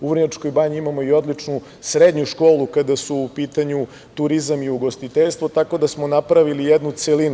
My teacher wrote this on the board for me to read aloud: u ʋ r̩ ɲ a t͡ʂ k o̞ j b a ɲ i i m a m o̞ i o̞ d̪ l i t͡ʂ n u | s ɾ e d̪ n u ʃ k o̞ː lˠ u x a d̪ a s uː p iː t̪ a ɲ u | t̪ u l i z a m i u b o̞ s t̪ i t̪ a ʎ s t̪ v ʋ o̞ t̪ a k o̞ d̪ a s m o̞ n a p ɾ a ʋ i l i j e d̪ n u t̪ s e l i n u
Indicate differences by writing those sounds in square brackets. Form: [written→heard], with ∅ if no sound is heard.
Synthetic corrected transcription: u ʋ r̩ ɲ a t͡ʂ k o̞ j b a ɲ i i m a m o̞ i o̞ d̪ l i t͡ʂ n u | s ɾ e d̪ [n→ɲ] u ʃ k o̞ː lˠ u [x→k] a d̪ a s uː p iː t̪ a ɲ u | t̪ u [l→ɾ] i z a m i u [b→ɡ] o̞ s t̪ i t̪ [a→e] ʎ s t̪ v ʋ o̞ t̪ a k o̞ d̪ a s m o̞ n a p ɾ a ʋ i l i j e d̪ n u t̪ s e l i n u